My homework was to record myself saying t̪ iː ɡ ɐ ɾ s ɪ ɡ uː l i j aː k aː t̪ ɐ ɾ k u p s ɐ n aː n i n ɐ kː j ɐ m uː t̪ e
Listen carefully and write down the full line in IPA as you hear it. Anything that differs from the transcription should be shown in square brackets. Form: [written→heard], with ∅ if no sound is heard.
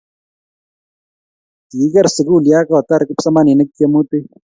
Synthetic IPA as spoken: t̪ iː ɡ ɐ ɾ s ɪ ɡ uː l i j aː k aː t̪ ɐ ɾ k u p s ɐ [n→m] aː n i n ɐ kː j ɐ m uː t̪ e